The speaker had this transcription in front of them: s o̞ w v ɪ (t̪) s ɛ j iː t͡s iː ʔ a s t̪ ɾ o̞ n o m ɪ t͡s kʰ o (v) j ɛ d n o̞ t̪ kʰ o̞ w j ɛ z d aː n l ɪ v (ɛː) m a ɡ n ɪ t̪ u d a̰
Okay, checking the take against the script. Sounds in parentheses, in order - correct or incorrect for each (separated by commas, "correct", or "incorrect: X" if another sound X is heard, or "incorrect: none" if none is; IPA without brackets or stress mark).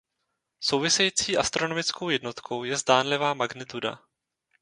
incorrect: none, incorrect: w, incorrect: aː